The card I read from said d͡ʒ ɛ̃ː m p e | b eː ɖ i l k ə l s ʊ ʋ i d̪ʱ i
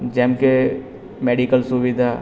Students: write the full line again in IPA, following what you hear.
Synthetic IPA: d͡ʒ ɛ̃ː m k e | m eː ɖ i k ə l s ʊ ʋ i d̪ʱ a

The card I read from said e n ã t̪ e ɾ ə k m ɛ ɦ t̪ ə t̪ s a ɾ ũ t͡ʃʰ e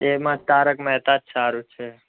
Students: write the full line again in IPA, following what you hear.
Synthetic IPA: e m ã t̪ a ɾ ə k m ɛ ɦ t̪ a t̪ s a ɾ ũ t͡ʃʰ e

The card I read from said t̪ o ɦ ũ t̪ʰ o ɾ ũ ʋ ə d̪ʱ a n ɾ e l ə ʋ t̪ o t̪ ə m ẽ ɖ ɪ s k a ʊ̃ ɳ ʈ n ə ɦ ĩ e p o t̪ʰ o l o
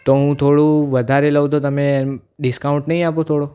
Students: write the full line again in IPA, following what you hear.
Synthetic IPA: t̪ o ɦ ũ t̪ʰ o ɽ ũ ʋ ə d̪ʱ a ɾ e l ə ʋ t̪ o t̪ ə m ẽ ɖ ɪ s k a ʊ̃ ɳ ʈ n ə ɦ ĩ a p o t̪ʰ o ɽ o

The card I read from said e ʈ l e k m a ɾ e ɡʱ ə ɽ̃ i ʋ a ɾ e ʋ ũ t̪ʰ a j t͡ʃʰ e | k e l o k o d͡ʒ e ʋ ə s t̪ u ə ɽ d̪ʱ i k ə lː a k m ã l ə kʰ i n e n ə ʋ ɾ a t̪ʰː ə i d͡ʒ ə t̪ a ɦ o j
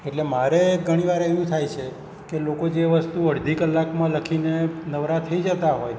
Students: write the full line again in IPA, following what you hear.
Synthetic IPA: e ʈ l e m a ɾ e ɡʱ ə ɽ̃ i ʋ a ɾ e ʋ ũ t̪ʰ a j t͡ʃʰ e | k e l o k o d͡ʒ e ʋ ə s t̪ u ə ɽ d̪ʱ i k ə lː a k m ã l ə kʰ i n e n ə ʋ ɾ a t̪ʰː ə i d͡ʒ ə t̪ a ɦ o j

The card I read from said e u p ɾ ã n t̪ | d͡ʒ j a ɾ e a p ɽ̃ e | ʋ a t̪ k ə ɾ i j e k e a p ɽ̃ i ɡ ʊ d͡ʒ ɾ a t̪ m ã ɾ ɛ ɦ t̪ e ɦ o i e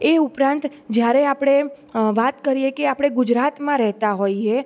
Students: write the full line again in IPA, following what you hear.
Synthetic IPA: e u p ɾ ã n t̪ | d͡ʒ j a ɾ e a p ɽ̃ e | ʋ a t̪ k ə ɾ i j e k e a p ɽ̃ e ɡ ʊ d͡ʒ ɾ a t̪ m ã ɾ ɛ ɦ t̪ a ɦ o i e

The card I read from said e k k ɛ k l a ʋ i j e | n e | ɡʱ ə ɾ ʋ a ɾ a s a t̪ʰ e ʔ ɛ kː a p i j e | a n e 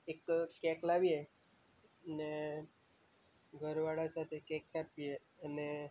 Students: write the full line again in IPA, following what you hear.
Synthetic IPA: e k k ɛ k l a ʋ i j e | n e | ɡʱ ə ɾ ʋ a ɽ a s a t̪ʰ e k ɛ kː a p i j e | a n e

